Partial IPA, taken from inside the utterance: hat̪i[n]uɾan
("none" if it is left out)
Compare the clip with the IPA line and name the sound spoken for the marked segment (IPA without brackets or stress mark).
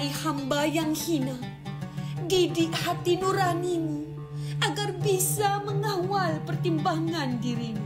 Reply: n